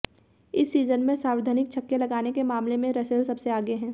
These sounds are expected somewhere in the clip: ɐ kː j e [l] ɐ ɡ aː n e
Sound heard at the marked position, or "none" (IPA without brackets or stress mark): l